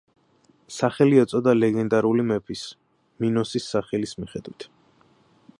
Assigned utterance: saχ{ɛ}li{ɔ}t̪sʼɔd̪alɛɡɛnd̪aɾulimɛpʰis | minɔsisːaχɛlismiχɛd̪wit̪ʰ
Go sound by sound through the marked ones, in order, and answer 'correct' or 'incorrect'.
correct, correct

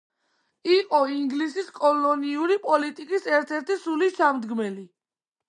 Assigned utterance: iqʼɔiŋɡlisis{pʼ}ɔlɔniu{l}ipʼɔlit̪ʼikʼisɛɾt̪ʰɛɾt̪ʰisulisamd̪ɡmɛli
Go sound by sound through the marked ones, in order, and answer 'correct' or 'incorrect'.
incorrect: kʼ, incorrect: ɾ

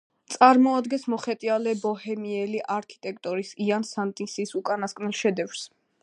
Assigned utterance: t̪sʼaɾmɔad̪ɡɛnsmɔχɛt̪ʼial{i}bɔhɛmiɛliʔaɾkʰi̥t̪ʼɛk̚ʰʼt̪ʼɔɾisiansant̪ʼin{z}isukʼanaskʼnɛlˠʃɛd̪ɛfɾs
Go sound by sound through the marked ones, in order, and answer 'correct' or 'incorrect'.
incorrect: ɛ, incorrect: s

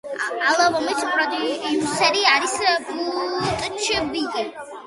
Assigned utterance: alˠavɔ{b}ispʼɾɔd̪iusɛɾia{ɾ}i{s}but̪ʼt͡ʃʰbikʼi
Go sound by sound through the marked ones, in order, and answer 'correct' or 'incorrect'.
incorrect: m, correct, correct

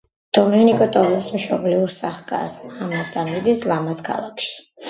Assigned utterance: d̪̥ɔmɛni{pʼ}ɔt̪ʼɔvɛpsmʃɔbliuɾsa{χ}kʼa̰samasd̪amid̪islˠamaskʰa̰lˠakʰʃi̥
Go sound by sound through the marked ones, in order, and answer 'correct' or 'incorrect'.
incorrect: kʼ, correct

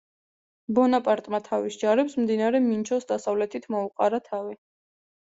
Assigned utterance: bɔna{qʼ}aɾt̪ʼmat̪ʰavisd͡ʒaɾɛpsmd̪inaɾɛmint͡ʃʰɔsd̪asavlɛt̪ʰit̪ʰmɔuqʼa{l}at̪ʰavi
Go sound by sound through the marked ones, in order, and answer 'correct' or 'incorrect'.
incorrect: pʼ, incorrect: ɾ

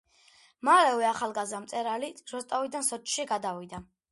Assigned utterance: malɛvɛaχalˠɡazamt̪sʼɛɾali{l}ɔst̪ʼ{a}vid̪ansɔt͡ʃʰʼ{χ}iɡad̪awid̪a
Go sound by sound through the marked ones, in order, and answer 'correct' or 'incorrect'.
incorrect: ɾ, correct, incorrect: ʃ

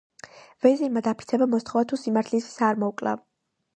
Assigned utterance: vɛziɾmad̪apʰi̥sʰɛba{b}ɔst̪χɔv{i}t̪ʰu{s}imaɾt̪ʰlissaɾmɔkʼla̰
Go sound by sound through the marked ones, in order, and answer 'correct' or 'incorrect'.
incorrect: m, incorrect: a, correct

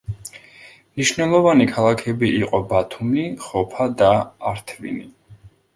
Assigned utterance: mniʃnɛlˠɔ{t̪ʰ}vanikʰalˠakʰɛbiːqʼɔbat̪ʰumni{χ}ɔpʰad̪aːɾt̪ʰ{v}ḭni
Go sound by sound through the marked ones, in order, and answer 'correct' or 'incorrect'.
incorrect: none, correct, correct

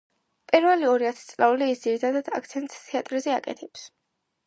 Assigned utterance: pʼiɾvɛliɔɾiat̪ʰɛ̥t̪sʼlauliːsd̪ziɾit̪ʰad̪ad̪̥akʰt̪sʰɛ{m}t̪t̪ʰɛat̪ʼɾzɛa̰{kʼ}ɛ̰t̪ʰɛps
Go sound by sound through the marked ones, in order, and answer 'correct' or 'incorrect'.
incorrect: n, correct

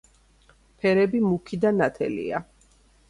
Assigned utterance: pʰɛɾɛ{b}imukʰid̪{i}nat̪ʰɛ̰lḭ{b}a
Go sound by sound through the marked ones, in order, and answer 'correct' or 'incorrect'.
correct, incorrect: a, incorrect: none

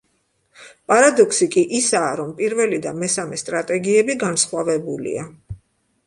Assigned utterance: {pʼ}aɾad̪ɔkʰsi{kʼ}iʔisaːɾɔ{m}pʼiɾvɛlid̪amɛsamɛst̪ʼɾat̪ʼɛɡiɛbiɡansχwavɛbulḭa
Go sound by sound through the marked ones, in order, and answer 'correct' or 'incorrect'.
correct, correct, correct

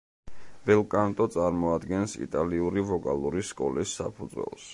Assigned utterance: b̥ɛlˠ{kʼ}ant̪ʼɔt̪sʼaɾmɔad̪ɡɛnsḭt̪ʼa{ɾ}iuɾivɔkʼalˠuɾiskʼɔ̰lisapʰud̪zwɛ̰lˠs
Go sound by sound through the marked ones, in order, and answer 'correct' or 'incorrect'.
correct, incorrect: l

